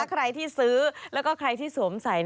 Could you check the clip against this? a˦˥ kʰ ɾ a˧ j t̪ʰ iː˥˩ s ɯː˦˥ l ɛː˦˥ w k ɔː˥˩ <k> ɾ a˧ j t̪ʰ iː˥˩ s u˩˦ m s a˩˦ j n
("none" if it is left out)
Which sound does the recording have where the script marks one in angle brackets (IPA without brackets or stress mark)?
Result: kʰ